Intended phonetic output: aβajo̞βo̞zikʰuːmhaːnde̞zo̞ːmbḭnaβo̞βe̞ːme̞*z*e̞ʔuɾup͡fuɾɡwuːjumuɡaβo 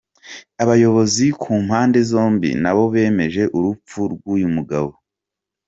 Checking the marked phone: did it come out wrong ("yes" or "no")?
yes